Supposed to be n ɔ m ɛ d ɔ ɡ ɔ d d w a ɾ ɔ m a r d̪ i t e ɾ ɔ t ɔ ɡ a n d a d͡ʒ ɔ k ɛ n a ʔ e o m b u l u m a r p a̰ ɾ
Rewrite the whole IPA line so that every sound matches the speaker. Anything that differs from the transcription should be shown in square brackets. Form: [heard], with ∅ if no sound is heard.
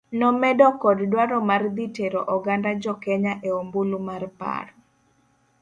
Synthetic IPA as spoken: n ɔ m ɛ d ɔ [k] ɔ d d w a ɾ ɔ m a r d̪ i t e ɾ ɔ [ʔ] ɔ ɡ a n d a d͡ʒ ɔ k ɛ [ɲ] a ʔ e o m b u l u m a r p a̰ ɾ